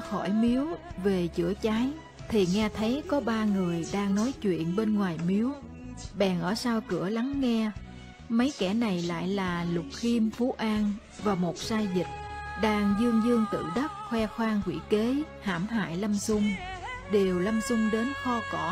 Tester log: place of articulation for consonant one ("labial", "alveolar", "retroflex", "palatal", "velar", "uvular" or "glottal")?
velar